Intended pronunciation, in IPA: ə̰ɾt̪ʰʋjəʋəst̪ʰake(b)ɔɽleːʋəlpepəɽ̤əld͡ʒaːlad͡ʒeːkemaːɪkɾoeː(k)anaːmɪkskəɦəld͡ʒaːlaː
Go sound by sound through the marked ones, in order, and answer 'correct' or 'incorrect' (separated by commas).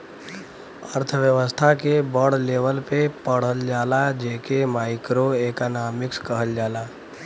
correct, correct